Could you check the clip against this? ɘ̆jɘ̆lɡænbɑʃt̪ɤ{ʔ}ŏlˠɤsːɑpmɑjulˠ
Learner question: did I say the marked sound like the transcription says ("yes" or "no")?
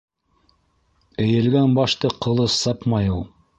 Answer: no